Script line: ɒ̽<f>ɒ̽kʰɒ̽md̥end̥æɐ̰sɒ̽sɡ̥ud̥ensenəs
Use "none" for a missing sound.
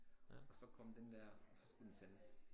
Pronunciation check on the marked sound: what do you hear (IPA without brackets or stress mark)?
s